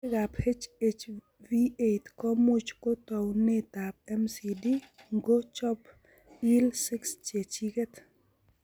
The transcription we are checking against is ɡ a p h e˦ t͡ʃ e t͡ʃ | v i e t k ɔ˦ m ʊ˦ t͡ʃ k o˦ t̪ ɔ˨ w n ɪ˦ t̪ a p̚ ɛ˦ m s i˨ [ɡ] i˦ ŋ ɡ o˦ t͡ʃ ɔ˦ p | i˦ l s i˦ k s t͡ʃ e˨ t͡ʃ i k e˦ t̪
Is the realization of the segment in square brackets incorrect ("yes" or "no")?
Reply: yes